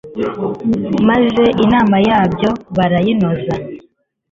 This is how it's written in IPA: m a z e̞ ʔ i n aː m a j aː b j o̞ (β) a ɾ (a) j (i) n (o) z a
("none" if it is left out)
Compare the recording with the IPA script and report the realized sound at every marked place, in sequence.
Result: β, a, i, o

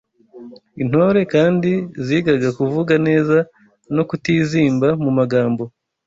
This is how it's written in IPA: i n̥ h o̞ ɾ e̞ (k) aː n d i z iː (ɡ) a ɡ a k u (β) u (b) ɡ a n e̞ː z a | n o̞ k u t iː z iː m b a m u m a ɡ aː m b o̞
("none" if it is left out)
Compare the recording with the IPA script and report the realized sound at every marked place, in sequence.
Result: k, ɡ, v, none

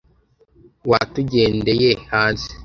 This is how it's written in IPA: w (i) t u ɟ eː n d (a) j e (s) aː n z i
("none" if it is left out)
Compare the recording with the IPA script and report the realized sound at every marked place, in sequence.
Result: a, e, h

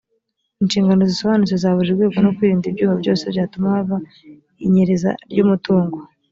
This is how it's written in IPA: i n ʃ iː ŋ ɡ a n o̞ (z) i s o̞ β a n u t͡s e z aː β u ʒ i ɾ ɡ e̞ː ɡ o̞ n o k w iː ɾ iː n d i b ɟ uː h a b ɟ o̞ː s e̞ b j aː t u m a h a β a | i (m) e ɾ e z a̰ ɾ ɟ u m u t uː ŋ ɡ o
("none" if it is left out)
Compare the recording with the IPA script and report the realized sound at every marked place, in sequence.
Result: z, ɲ

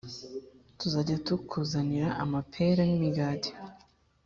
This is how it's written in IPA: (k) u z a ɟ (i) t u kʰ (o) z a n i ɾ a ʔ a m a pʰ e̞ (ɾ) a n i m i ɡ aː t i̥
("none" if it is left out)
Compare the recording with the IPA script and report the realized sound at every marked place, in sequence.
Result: t, a, u, ɾ

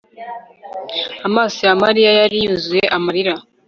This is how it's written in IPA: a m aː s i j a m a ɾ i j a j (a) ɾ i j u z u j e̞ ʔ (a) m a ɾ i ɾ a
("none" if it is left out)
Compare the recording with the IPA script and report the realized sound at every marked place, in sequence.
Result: a, a

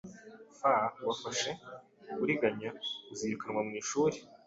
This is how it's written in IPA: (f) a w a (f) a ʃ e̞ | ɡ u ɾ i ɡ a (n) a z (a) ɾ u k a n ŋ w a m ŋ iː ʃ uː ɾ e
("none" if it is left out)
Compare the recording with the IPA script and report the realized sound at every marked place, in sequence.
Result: f, f, ɲ, i

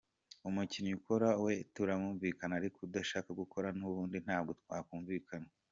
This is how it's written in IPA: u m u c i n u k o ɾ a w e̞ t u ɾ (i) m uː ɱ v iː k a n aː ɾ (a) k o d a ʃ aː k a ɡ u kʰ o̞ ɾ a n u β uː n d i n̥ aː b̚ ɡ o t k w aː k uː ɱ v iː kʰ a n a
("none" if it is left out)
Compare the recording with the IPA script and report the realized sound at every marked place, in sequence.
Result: a, i

